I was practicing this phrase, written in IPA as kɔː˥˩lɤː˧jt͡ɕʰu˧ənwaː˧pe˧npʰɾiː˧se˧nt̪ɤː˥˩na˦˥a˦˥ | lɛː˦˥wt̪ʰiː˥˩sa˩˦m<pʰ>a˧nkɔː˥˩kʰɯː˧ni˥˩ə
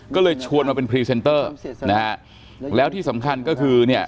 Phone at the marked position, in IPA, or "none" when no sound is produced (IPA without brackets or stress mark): kʰ